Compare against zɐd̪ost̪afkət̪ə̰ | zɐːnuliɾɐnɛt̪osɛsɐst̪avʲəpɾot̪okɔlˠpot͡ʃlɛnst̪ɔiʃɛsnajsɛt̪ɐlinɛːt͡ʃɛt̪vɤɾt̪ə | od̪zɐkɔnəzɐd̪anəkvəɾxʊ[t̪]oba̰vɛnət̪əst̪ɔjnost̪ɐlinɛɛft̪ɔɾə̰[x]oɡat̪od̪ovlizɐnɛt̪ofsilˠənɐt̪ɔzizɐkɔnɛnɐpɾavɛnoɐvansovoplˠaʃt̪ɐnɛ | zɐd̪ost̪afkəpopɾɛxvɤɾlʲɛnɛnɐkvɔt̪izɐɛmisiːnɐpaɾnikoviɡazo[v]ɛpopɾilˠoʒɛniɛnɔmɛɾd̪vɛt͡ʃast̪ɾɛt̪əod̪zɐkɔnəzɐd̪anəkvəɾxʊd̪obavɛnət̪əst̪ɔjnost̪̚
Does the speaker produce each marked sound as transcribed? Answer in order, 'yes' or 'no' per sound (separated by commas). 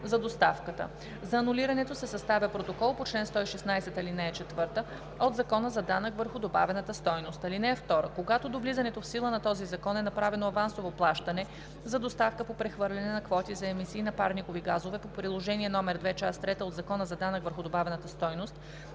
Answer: no, no, yes